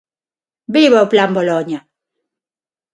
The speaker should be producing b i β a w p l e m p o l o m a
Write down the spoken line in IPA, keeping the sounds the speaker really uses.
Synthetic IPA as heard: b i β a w p l a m b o l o ɲ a